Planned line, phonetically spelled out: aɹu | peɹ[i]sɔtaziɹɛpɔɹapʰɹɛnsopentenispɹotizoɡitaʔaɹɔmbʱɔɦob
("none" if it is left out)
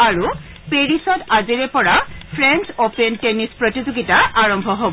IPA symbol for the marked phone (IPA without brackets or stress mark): i